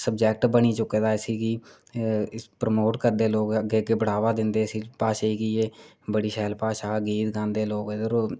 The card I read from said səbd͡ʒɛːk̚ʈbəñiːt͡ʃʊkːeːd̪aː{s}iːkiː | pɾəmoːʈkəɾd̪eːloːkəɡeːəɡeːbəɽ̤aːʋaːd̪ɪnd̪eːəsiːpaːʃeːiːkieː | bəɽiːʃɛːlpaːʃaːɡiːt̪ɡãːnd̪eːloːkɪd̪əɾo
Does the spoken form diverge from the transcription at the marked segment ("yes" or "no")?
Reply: no